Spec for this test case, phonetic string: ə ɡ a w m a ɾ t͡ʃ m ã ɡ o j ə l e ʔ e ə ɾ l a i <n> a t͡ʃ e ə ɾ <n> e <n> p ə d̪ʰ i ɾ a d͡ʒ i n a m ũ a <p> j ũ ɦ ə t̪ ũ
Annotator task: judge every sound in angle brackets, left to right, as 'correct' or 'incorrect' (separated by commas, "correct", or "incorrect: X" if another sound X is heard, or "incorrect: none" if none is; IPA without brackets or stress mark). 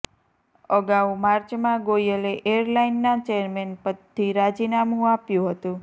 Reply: incorrect: nː, incorrect: m, correct, correct